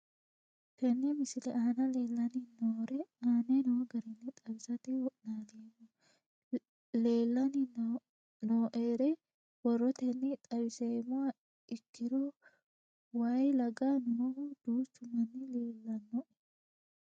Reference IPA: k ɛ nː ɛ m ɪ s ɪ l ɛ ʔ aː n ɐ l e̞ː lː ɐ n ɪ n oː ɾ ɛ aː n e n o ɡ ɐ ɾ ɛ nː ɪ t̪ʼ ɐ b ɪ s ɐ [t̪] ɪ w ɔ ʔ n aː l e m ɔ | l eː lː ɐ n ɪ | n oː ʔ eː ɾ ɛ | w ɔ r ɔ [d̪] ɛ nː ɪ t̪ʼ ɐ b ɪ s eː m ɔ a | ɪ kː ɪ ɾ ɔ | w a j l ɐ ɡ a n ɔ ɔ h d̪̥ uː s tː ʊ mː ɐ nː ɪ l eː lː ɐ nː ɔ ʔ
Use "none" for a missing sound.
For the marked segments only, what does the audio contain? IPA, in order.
t̪, t̪

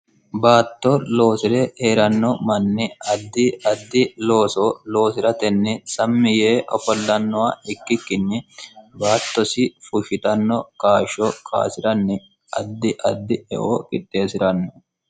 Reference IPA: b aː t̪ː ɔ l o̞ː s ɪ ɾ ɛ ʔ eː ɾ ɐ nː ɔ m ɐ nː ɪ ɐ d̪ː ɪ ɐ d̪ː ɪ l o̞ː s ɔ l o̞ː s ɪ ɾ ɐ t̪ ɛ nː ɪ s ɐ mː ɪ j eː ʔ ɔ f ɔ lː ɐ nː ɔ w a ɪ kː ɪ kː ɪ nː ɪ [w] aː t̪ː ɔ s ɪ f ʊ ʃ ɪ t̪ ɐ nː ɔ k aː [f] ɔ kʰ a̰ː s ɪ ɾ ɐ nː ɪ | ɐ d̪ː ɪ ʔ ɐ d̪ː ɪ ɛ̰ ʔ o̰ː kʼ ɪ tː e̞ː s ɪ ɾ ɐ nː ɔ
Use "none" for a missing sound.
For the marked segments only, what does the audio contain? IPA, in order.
b, ʃ

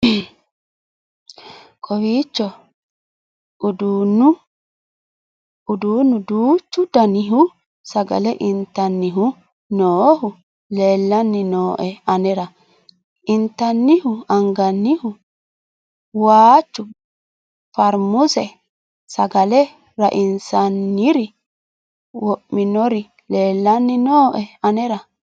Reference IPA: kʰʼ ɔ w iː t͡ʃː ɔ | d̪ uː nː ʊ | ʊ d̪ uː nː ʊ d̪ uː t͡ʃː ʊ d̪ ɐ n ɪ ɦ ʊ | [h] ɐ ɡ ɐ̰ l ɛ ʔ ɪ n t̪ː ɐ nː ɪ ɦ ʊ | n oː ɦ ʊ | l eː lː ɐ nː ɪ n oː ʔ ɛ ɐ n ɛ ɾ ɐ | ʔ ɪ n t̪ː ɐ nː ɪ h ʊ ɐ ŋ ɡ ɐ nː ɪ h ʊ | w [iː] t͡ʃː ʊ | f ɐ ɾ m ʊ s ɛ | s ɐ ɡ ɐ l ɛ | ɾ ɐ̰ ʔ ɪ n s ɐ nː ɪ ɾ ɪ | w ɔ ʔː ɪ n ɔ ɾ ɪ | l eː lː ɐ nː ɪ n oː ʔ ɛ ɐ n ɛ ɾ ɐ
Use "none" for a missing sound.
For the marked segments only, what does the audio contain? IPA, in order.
s, aː

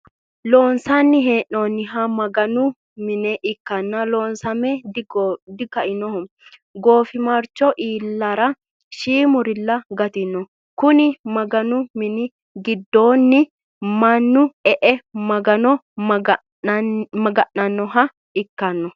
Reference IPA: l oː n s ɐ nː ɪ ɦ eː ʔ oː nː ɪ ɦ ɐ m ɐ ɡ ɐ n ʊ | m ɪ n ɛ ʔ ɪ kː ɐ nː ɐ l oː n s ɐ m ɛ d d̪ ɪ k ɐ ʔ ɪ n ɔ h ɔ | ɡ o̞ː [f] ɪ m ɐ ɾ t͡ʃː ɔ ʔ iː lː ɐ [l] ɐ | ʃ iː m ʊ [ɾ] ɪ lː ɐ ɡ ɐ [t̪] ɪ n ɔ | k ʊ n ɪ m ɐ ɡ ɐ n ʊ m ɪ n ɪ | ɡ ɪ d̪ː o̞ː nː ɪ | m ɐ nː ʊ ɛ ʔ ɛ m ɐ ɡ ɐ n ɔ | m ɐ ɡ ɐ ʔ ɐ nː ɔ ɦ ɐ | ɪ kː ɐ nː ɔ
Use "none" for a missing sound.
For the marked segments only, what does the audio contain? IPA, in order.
f, ɾ, ɾ, t̪

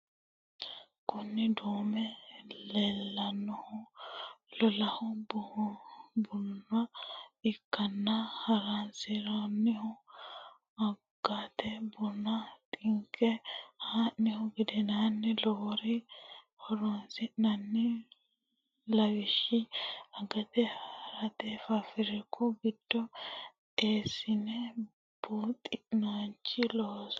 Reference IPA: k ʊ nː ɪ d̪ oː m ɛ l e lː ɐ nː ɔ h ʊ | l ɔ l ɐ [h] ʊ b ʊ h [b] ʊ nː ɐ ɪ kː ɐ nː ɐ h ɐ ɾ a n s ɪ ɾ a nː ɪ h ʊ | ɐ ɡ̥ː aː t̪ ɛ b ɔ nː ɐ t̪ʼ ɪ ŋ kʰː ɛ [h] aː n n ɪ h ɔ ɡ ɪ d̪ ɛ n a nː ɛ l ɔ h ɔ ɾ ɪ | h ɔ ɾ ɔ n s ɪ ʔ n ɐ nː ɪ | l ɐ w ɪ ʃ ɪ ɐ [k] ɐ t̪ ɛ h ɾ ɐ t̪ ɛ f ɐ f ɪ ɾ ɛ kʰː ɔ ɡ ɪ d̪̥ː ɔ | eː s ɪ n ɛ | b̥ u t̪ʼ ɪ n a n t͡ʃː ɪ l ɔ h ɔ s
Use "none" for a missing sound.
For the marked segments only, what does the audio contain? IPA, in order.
h, b, h, ɡ

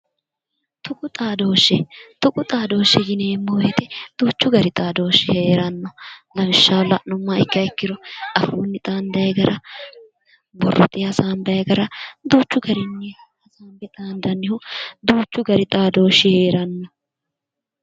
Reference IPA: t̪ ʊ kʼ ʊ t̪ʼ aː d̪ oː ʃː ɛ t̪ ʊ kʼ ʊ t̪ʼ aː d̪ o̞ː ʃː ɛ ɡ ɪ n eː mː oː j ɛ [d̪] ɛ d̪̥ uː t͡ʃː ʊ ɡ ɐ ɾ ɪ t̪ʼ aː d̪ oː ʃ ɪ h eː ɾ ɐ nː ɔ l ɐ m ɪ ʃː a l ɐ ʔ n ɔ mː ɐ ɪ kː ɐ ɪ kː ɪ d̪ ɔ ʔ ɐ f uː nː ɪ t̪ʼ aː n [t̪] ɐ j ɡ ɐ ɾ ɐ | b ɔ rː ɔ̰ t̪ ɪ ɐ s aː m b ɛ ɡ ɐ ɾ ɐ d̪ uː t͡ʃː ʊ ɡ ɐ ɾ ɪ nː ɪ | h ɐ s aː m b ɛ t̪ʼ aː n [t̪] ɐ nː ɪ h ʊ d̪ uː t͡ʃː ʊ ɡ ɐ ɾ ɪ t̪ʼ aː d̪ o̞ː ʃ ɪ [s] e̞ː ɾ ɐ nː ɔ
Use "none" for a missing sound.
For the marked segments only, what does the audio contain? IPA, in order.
t̪, d̪, d̪, h

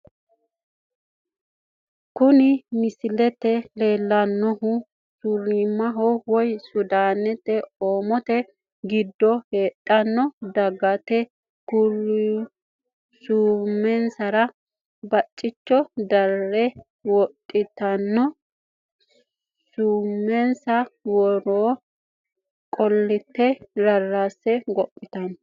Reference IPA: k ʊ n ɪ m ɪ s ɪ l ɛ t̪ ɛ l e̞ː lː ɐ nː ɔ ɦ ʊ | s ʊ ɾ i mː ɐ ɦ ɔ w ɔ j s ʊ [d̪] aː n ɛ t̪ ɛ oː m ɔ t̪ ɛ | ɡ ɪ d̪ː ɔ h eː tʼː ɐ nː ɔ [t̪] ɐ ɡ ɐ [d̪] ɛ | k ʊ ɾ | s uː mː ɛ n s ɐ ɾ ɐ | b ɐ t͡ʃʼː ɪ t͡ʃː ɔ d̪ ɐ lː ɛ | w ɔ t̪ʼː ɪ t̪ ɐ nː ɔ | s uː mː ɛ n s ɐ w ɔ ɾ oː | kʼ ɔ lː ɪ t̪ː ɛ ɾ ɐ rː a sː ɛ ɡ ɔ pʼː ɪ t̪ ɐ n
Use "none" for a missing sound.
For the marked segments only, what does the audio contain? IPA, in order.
d̪, d̪, t̪

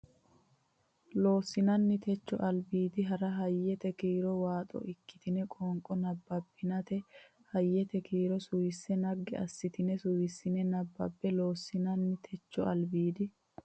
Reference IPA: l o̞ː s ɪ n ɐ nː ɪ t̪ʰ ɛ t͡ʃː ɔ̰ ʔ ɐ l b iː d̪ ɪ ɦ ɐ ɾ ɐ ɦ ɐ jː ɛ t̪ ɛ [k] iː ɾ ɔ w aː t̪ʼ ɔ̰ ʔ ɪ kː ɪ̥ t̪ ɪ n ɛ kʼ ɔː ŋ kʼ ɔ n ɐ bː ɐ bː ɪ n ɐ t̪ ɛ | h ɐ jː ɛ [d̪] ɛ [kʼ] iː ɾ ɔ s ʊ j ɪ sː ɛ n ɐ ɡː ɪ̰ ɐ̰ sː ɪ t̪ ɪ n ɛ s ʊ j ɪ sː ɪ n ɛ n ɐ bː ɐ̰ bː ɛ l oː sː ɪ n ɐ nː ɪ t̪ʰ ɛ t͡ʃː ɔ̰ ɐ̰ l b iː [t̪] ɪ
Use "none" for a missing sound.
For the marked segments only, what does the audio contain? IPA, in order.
k, t̪, k, d̪

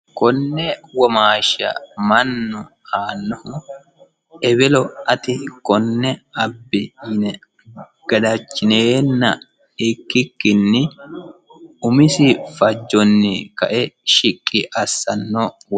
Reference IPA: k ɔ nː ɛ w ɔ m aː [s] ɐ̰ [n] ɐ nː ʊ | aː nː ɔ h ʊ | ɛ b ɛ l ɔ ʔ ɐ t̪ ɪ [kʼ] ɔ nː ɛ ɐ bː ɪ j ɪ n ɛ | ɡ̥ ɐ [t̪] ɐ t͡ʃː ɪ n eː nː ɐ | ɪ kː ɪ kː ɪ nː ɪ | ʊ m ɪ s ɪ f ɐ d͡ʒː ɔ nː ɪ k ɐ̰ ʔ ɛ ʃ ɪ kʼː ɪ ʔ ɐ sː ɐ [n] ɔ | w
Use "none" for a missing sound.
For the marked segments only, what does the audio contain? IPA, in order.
ʃ, m, k, d̪, nː

